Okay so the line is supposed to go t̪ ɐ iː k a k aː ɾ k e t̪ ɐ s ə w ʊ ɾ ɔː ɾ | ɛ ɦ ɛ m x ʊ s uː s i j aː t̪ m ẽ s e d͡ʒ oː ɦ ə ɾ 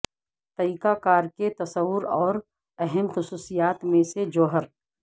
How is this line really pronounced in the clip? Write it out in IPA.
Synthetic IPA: t̪ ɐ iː k a k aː ɾ k e t̪ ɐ s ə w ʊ ɾ ɔː ɾ | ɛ ɦ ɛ m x ʊ s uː s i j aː t̪ m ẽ s e d͡ʒ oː ɦ ə ɾ